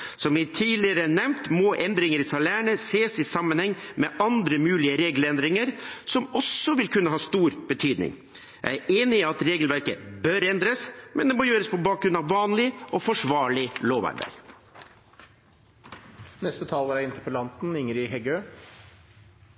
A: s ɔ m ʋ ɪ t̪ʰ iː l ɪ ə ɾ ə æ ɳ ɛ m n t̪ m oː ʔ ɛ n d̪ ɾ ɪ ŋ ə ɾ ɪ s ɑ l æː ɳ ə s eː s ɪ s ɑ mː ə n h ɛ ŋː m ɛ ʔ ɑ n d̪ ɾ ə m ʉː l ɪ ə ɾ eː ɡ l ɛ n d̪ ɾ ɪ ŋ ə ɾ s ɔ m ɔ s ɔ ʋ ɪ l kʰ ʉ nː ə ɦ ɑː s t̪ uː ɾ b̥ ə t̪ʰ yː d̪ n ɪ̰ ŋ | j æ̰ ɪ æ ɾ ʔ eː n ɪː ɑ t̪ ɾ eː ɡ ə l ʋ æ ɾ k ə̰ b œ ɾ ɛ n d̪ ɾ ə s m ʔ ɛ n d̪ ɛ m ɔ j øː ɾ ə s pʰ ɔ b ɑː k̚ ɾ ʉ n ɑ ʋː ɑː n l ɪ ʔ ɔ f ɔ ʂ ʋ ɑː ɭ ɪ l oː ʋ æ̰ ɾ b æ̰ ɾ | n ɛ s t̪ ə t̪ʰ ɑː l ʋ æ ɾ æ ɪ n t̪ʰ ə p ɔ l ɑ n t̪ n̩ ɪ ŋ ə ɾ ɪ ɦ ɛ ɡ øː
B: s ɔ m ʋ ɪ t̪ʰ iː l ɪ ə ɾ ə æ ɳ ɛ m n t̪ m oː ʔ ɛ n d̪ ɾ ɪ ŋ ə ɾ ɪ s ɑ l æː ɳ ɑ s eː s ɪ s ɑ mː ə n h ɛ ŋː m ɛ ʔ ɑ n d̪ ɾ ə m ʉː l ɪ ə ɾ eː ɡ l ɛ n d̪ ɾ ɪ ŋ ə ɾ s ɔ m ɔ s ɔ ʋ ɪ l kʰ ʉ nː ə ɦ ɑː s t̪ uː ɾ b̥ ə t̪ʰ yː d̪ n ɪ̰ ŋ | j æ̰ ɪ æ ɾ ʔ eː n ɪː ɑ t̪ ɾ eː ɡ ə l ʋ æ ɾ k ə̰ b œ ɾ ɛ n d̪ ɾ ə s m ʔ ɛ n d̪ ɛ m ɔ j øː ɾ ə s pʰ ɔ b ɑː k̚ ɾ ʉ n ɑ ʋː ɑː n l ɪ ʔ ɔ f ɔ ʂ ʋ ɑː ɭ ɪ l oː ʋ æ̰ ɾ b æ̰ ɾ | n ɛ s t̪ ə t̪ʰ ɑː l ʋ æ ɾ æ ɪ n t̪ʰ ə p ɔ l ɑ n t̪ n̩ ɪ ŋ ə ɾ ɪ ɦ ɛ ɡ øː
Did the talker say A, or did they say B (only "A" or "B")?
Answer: A